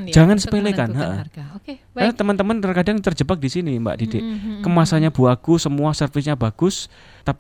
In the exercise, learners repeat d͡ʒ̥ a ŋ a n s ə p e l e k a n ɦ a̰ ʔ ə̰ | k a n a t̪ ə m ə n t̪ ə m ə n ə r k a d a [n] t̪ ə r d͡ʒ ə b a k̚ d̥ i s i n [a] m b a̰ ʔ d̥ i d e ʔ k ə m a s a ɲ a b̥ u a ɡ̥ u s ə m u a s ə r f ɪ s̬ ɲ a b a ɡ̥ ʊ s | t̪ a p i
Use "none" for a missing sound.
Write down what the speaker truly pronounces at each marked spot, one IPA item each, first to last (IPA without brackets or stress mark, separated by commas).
ŋ, i